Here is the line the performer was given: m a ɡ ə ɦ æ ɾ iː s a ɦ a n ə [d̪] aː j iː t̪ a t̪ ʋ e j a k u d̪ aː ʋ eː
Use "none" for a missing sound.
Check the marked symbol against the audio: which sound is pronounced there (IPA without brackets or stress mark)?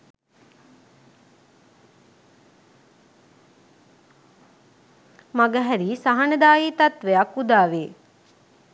d̪